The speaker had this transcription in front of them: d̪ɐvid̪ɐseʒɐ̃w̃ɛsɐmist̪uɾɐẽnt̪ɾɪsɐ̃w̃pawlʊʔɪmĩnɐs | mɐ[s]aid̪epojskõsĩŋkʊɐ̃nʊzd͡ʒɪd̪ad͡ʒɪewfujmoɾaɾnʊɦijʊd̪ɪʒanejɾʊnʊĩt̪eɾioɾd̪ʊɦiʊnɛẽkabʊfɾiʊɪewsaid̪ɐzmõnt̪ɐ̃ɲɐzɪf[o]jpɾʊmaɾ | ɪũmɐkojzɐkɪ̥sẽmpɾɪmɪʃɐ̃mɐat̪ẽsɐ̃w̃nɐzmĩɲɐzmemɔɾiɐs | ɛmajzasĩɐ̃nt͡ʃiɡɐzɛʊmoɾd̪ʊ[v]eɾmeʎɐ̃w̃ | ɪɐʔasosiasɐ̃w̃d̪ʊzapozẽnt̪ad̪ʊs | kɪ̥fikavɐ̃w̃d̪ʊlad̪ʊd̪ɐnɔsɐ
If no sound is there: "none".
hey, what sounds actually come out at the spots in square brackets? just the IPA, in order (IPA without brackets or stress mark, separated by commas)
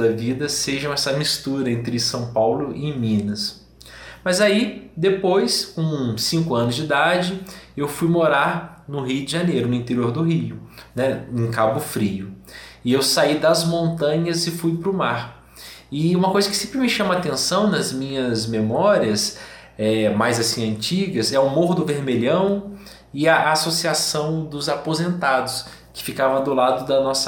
z, u, v